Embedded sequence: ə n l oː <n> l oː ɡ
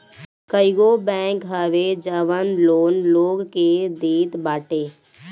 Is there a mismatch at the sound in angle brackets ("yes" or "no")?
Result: no